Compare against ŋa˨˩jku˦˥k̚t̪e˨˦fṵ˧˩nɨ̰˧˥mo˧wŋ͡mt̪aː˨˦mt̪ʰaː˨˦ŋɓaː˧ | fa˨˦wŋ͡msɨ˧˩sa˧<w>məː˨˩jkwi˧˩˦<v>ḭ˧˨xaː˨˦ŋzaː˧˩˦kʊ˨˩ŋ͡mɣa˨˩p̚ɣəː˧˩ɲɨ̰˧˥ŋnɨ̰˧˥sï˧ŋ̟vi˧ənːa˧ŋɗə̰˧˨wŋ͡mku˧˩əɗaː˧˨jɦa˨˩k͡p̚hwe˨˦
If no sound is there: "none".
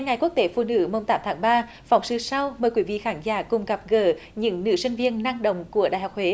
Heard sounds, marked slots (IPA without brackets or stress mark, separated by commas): w, v